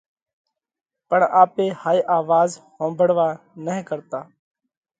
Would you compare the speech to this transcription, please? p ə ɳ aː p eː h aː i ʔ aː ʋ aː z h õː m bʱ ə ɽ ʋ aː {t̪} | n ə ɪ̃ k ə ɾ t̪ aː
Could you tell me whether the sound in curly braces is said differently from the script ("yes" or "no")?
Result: yes